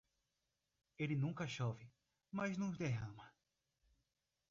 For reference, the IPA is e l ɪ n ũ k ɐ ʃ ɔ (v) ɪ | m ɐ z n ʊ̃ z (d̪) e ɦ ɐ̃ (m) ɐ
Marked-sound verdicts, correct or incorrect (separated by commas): correct, correct, correct